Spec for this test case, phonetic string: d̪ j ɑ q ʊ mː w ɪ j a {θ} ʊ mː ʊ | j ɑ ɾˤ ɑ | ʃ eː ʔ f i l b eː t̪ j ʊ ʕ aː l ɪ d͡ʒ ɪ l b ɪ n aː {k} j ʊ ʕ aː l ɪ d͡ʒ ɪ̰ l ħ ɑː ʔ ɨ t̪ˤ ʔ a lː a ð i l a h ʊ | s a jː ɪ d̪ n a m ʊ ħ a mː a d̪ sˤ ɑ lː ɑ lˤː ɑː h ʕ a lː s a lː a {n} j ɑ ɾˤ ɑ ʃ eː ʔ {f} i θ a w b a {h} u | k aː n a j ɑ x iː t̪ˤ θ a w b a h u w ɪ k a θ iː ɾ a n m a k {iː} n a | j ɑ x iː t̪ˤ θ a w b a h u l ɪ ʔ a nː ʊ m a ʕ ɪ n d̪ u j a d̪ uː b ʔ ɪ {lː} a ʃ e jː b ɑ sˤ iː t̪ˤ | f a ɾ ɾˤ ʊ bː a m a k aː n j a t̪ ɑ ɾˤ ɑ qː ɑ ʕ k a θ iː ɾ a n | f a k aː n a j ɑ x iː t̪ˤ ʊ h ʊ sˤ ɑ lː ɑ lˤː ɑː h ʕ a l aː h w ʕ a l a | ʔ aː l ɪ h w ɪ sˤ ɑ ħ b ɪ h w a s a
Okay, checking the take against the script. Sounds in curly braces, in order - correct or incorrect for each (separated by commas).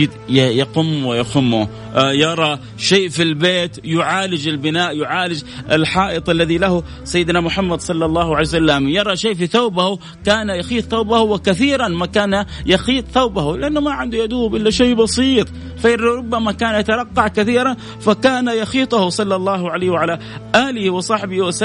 incorrect, incorrect, incorrect, correct, correct, incorrect, correct